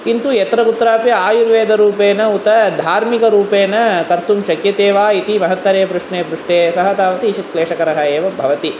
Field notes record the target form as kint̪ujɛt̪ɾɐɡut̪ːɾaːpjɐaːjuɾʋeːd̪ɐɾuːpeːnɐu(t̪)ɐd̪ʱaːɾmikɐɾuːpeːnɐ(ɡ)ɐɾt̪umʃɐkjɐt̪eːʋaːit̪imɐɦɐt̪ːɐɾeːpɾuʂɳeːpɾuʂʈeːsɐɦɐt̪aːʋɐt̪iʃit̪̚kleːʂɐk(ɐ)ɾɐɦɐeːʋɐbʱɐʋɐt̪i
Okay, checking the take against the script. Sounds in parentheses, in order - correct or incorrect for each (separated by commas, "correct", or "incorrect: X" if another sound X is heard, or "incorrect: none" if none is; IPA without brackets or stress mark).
correct, incorrect: k, correct